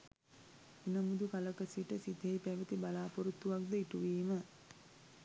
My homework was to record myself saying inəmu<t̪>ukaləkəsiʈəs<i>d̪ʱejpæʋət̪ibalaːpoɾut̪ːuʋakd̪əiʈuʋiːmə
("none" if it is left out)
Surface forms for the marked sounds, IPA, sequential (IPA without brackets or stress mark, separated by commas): d̪, i